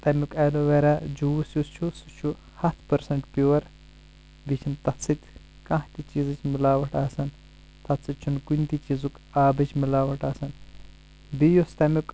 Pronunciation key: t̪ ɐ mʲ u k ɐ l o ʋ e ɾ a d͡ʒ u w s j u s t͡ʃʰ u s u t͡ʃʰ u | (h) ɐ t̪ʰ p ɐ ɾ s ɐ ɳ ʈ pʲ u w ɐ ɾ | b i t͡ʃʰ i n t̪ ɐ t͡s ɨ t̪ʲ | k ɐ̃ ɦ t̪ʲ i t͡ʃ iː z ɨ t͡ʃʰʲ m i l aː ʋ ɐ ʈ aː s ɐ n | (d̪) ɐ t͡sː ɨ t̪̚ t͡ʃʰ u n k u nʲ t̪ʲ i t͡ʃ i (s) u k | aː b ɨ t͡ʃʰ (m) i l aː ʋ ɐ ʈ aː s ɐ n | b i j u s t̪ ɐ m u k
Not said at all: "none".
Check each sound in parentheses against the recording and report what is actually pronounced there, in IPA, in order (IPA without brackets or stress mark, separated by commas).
h, t̪, z, m